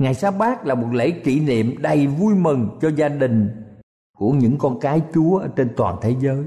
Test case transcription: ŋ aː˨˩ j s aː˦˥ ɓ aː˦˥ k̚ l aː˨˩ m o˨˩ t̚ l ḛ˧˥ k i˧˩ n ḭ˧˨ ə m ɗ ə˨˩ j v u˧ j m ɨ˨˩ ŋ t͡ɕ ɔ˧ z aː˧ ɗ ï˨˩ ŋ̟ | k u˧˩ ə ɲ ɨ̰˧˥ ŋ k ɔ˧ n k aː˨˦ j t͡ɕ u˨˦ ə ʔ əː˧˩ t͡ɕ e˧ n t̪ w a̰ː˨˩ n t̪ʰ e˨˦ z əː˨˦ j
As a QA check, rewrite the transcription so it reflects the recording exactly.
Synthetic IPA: ŋ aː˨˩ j s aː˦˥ ɓ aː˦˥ k̚ l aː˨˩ m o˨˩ t̚ l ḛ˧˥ k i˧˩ n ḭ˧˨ ə m ɗ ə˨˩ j v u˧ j m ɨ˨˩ ŋ t͡ɕ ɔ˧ z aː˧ ɗ ï˨˩ ŋ̟ | k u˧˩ ə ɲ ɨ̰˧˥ ŋ k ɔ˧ n k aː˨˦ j t͡ɕ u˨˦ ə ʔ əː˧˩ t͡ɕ e˧ n t̪ w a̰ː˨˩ n t̪ʰ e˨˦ z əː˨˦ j